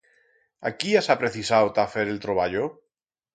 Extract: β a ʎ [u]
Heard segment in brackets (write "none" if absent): o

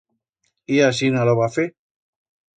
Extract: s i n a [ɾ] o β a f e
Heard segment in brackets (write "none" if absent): l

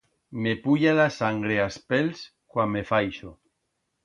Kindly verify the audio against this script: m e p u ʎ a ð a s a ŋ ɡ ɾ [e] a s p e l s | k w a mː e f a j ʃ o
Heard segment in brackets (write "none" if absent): e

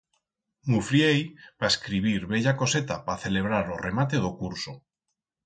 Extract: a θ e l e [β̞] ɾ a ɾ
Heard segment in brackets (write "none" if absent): β̞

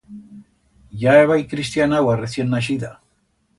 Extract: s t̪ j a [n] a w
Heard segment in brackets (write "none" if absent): n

